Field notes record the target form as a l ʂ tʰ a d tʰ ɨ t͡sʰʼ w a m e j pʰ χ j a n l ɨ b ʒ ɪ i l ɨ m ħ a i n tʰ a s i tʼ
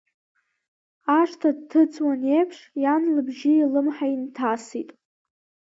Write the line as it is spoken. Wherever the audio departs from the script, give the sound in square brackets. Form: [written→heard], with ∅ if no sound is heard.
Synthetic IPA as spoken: a [l→∅] ʂ tʰ a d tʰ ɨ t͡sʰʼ w a [m→n] e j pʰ [χ→ʂ] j a n l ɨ b ʒ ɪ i l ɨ m ħ a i n tʰ a s i tʼ